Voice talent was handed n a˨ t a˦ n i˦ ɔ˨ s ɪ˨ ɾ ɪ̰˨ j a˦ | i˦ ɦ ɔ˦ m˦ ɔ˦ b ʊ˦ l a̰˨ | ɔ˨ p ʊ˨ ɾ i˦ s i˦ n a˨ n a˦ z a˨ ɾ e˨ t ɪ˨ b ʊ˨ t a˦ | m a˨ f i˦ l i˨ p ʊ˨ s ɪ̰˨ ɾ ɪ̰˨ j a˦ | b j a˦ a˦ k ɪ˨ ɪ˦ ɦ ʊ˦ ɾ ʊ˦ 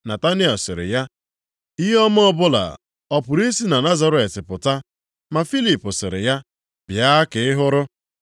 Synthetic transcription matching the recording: n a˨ t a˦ n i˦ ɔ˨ s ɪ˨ ɾ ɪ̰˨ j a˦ | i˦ ɦ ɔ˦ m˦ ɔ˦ b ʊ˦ l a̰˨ | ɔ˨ p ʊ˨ ɾ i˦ s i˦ n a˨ n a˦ z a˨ ɾ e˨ t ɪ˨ p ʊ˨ t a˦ | m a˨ f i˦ l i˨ p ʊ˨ s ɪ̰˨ ɾ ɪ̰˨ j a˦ | b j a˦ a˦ k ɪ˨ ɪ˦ ɦ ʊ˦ ɾ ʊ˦